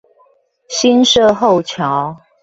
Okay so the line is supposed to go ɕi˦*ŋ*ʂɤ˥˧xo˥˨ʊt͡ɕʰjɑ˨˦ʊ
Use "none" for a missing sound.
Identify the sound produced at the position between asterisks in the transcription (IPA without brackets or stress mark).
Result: n